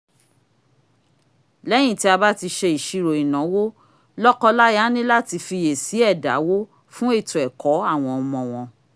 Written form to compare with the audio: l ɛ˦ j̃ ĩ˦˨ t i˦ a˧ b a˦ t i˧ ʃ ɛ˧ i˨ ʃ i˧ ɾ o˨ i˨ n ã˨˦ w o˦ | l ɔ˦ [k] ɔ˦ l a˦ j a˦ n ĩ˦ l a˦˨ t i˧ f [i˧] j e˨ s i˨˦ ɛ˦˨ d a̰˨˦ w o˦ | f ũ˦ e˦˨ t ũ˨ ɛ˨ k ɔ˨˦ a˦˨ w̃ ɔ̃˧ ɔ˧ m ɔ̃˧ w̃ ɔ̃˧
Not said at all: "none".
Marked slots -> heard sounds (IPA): k, i˧

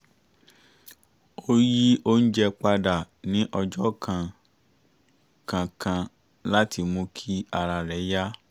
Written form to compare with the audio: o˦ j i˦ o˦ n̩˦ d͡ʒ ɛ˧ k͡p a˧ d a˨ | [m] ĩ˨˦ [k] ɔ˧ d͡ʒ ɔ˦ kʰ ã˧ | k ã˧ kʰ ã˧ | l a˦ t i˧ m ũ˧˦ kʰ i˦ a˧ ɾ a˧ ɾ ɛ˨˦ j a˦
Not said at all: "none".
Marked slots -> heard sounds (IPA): n, ʔ

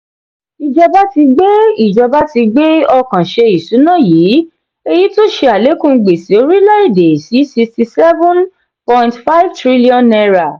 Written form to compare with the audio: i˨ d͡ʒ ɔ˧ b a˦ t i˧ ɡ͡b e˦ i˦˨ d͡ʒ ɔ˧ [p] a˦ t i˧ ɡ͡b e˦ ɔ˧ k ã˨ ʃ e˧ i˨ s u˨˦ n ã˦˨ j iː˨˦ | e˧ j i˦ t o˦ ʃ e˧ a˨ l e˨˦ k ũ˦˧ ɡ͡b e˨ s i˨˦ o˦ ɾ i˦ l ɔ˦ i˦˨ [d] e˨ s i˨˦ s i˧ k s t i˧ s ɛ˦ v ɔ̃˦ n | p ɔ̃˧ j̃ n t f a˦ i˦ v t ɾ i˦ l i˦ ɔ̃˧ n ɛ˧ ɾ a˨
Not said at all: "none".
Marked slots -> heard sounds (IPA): b, d

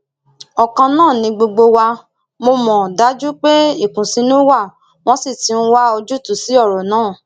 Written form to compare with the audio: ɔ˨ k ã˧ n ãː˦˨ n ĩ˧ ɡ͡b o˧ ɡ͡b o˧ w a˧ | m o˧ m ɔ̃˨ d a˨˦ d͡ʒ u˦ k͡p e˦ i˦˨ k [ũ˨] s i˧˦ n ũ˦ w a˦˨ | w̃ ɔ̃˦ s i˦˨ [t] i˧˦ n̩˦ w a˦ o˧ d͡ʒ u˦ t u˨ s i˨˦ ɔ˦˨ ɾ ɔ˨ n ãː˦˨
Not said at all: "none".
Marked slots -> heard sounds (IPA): ũ˨, t

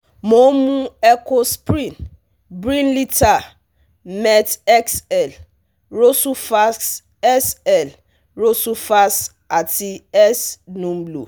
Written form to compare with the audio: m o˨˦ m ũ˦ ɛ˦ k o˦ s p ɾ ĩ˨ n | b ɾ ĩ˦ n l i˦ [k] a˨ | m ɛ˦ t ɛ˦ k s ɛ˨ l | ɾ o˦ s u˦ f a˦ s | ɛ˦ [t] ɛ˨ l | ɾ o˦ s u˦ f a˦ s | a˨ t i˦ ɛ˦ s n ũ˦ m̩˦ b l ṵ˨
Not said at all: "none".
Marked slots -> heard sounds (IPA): t, s

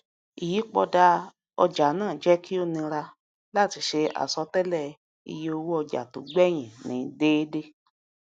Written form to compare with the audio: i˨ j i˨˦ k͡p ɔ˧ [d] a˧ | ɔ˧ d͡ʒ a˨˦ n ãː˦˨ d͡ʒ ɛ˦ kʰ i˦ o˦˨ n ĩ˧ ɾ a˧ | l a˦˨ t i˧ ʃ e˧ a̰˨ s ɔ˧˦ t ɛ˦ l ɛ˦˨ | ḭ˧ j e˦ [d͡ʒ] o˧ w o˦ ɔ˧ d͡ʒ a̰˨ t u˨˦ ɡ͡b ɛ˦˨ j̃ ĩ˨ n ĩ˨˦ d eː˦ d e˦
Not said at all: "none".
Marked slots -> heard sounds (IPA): d, none

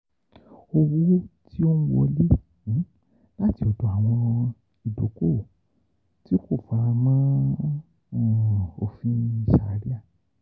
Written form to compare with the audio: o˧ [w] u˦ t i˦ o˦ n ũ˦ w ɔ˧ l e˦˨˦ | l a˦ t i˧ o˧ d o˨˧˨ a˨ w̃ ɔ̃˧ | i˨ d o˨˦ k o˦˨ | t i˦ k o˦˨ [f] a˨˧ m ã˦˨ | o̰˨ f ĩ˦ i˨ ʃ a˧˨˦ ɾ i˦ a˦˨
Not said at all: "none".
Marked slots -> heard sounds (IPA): w, f

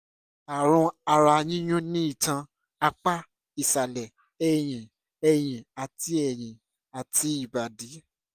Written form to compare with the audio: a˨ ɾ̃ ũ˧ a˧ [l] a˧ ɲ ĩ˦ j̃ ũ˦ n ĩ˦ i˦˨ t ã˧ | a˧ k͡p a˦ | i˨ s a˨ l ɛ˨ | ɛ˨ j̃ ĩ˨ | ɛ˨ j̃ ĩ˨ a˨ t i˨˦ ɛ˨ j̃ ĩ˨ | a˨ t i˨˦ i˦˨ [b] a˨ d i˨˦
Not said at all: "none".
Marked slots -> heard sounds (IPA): ɾ, b

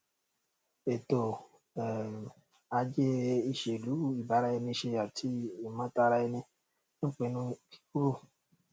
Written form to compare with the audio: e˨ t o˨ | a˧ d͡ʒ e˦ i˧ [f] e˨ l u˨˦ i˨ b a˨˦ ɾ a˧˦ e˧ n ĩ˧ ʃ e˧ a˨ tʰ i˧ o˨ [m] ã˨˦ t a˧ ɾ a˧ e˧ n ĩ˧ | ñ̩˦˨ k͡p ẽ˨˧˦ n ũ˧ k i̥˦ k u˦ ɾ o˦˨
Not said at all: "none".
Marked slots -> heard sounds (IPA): ʃ, m

